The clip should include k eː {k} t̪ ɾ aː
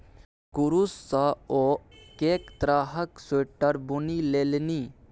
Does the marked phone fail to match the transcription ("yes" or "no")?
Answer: no